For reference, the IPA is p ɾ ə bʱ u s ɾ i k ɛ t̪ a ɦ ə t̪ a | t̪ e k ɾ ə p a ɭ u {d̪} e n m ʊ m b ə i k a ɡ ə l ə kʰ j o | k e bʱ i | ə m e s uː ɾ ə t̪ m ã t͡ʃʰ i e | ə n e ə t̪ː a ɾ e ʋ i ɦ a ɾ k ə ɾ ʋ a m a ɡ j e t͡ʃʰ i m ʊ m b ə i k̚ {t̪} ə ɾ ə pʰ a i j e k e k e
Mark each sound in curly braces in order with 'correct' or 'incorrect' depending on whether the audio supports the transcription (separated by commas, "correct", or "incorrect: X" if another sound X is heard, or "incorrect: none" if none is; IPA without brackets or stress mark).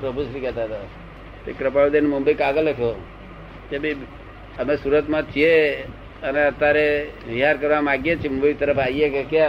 correct, correct